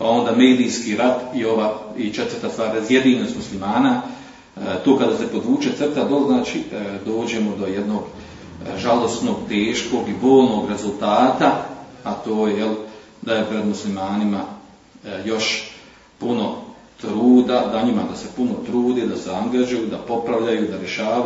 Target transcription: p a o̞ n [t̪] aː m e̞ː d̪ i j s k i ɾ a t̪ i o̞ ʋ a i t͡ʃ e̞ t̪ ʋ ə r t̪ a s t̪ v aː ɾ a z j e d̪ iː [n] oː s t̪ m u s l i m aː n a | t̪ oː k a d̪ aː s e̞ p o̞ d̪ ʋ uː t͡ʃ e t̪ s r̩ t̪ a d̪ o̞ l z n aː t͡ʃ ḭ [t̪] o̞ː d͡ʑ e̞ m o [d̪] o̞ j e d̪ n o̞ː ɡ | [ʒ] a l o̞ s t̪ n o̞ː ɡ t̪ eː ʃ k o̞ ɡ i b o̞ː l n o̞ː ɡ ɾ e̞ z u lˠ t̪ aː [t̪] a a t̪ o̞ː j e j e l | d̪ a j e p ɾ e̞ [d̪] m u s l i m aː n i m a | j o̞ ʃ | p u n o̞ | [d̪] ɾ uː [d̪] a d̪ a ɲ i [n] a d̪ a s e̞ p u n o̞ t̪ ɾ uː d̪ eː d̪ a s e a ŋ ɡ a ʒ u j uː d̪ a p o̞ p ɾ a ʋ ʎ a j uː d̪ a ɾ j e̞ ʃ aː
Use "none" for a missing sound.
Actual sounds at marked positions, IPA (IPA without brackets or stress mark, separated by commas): d̪, n, d̪, d̪, ʒ, t̪, d̪, t̪, d̪, m